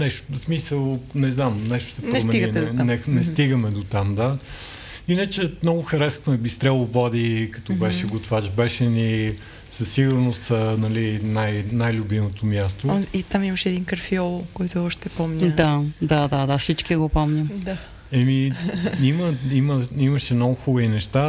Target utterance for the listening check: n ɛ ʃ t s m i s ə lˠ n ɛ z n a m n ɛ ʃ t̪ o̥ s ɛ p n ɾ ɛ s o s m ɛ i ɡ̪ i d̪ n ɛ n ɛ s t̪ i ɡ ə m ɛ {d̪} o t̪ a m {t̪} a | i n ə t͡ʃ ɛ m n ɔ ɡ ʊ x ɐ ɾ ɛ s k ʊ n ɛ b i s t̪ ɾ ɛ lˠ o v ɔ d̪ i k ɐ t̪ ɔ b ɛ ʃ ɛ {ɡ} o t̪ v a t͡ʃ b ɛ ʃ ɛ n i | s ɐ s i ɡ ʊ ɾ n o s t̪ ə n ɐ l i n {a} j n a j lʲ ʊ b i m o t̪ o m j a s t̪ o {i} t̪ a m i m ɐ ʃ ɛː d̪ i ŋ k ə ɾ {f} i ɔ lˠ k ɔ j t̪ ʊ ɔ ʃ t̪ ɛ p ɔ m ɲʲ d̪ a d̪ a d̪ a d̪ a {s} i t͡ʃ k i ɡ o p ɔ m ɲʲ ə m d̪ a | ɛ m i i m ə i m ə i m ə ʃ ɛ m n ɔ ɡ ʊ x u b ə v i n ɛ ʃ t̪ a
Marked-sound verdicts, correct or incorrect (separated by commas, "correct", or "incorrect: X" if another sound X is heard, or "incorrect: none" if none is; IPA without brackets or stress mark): correct, incorrect: d̪, correct, correct, correct, correct, correct